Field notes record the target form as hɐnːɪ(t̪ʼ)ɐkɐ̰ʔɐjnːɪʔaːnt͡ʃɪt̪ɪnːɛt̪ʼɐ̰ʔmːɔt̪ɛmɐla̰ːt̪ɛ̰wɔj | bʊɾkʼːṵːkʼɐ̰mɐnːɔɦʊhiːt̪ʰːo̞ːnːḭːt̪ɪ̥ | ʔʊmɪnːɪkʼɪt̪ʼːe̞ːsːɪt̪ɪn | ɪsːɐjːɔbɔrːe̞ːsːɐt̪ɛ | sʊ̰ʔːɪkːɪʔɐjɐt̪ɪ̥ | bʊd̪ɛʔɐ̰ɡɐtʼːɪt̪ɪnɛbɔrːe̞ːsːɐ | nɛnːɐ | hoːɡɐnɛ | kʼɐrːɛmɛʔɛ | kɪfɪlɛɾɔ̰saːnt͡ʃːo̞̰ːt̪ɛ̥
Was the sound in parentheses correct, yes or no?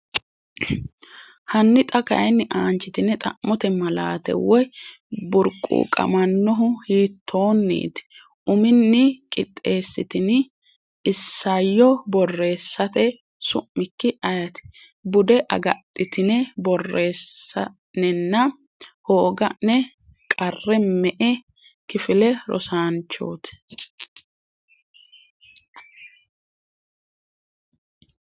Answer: yes